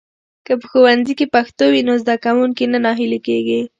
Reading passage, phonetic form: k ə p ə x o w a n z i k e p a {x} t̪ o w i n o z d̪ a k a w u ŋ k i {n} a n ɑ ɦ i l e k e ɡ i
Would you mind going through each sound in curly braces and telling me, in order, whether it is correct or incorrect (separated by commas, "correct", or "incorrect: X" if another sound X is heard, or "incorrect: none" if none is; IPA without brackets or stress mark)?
correct, correct